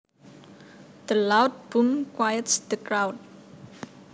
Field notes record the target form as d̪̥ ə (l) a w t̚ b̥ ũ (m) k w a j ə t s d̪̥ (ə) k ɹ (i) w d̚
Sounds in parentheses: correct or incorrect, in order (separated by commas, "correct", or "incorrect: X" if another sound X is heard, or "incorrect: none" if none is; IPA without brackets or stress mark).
correct, correct, correct, incorrect: a